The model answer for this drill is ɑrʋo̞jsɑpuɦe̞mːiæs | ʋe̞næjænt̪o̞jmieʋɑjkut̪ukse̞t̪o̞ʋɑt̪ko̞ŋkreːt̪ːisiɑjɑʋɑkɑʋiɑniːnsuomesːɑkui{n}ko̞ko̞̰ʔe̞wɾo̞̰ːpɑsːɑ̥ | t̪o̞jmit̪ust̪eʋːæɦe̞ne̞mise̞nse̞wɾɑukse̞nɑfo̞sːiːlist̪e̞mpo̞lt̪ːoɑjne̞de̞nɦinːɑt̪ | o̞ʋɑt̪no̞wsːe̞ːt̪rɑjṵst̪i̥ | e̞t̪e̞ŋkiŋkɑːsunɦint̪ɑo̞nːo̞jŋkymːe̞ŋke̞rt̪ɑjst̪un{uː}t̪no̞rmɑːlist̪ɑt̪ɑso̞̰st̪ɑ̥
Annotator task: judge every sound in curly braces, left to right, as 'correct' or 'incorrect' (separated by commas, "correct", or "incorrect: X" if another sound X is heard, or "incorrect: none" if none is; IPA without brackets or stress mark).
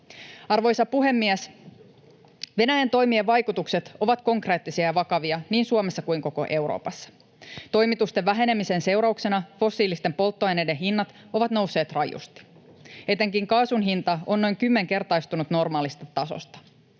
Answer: incorrect: ŋ, incorrect: u